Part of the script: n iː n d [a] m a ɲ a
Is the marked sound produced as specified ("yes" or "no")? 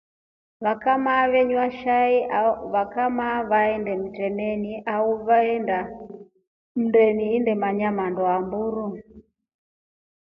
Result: no